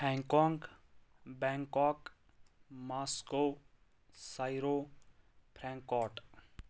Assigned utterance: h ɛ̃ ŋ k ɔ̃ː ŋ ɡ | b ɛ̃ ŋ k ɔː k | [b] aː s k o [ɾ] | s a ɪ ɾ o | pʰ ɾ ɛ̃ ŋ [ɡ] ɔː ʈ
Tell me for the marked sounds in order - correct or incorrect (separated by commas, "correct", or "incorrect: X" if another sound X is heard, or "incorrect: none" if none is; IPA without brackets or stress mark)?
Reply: incorrect: m, incorrect: none, incorrect: k